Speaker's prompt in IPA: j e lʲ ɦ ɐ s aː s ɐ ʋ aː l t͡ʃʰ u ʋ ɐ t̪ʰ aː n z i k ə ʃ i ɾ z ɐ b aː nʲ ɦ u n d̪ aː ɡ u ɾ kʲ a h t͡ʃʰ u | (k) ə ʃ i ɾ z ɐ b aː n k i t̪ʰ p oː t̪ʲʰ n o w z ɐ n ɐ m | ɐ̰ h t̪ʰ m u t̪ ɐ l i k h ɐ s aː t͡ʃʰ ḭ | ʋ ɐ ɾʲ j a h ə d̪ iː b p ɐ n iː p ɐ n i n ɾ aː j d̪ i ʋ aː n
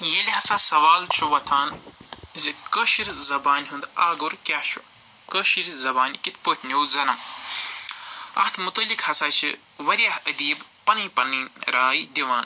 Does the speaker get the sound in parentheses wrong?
no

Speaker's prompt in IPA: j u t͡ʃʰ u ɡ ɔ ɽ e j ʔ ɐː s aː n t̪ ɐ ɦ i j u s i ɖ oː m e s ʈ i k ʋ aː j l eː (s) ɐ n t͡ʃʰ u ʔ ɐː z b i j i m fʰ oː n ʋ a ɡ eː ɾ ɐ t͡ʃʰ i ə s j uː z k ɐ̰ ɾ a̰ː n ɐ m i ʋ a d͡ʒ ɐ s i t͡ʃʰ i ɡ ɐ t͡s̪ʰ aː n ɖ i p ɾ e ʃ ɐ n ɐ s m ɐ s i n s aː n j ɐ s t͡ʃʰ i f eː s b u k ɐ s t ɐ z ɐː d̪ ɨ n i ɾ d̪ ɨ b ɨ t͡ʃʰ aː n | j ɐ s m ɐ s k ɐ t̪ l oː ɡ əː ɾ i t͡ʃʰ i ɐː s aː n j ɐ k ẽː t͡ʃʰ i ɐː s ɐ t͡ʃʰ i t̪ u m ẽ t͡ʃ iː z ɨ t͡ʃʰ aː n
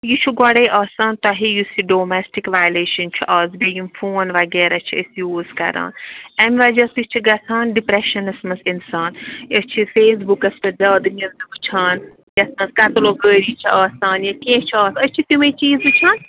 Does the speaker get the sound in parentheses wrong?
yes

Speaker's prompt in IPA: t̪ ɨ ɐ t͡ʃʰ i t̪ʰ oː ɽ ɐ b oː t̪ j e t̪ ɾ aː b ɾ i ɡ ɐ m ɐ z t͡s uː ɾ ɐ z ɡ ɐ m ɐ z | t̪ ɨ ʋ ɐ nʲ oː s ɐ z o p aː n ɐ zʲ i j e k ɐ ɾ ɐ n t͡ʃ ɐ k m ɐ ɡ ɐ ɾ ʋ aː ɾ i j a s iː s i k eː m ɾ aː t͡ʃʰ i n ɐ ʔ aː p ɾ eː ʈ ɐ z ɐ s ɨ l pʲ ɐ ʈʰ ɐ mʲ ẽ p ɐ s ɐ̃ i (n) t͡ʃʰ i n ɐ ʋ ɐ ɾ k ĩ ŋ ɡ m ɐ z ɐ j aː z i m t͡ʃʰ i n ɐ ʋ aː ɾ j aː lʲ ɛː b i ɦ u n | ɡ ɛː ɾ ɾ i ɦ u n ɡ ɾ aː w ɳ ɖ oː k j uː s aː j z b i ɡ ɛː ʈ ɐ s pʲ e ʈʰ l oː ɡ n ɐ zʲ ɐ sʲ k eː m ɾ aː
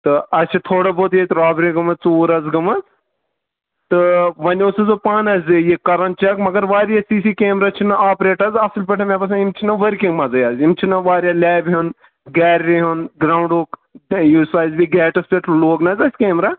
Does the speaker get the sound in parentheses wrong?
yes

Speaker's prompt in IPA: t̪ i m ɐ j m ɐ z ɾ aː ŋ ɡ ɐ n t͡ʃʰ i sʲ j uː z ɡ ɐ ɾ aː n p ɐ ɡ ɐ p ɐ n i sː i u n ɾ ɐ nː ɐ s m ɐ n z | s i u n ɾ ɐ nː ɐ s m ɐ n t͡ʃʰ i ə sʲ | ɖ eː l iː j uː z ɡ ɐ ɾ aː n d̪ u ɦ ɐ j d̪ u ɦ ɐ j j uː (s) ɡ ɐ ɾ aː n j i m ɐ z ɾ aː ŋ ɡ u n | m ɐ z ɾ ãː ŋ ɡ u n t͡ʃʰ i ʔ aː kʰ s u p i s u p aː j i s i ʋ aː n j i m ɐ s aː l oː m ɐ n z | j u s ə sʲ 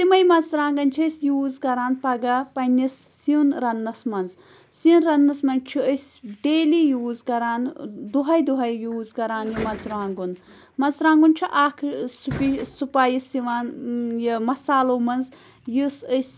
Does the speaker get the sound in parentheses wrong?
yes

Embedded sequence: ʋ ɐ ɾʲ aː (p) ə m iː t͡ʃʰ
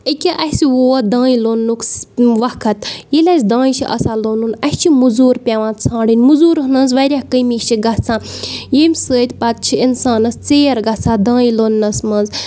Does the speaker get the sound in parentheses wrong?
yes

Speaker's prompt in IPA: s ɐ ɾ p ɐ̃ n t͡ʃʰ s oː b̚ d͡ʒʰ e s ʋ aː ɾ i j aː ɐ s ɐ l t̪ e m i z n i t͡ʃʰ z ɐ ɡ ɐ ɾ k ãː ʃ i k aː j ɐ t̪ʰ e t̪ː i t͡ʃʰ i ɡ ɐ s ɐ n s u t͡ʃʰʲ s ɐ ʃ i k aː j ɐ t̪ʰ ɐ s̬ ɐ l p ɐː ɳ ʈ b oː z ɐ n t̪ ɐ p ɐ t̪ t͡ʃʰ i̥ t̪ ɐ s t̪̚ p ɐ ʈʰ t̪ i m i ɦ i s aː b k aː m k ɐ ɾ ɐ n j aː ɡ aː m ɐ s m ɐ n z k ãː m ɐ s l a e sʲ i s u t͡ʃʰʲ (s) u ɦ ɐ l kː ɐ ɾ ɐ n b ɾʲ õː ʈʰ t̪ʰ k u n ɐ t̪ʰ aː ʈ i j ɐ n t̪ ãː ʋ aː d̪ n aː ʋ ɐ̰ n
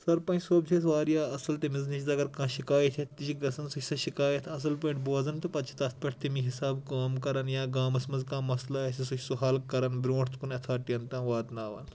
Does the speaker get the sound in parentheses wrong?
no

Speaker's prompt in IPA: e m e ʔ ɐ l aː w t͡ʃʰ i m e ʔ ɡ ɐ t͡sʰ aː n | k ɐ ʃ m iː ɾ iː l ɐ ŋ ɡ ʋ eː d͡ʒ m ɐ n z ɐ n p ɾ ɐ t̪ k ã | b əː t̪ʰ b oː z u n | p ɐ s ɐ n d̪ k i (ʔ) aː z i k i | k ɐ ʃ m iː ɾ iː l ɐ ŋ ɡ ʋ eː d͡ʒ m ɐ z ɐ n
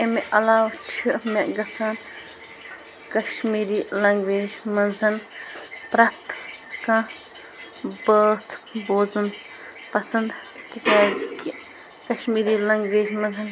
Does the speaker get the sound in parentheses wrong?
yes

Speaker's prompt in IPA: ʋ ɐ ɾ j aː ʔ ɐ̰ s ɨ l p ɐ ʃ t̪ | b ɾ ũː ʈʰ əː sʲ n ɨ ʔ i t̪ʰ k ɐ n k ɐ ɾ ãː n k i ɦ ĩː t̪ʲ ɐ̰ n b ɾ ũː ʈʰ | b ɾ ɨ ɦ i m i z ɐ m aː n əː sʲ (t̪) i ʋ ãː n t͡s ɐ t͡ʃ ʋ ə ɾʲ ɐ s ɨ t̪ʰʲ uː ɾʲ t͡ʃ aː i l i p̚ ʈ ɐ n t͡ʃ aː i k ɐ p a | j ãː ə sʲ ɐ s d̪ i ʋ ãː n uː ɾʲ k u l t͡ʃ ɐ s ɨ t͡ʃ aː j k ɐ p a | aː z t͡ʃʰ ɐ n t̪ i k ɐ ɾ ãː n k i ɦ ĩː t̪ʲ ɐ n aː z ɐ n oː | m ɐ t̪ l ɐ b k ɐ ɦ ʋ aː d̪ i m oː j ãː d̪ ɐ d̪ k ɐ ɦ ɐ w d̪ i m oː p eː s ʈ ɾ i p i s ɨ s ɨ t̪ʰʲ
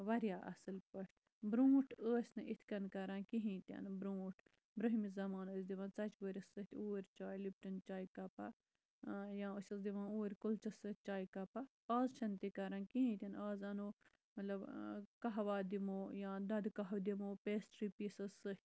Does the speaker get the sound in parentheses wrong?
yes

